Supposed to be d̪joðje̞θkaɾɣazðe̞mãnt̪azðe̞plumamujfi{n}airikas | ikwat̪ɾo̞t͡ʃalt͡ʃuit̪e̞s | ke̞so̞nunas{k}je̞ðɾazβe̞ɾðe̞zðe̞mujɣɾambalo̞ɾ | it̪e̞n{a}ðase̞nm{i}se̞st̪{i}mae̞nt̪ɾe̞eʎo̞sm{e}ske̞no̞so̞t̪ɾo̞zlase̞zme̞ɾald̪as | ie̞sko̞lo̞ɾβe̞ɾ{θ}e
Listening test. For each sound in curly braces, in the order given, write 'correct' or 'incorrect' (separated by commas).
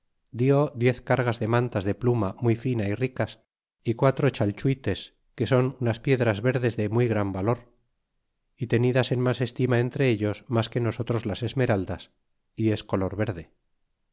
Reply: correct, incorrect, incorrect, incorrect, correct, incorrect, incorrect